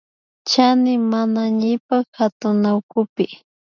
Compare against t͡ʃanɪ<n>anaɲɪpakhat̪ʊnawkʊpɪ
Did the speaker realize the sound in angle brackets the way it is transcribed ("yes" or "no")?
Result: no